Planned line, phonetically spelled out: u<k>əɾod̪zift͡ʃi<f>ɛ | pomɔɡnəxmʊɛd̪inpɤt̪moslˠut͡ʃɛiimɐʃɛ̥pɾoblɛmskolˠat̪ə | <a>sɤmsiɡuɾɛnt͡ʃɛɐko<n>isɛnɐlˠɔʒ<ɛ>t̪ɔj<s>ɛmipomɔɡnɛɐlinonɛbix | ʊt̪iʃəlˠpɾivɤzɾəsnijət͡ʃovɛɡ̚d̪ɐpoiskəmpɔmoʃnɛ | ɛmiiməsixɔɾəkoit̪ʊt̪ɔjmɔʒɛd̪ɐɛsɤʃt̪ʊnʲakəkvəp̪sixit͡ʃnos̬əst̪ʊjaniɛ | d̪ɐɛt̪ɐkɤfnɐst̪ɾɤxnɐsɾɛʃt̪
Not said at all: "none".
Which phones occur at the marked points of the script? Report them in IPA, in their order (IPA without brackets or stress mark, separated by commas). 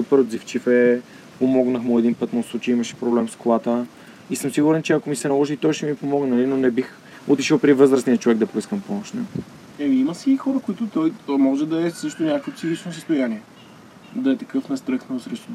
p, f, i, m, i, ʃ